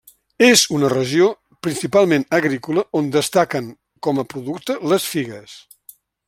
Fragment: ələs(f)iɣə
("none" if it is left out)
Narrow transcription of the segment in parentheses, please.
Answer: f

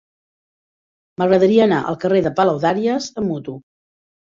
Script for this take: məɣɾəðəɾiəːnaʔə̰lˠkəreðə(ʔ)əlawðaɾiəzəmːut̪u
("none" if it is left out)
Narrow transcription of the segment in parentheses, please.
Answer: p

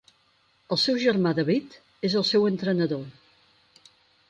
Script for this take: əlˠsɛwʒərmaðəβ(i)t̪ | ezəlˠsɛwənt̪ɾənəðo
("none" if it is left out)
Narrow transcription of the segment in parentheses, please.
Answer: i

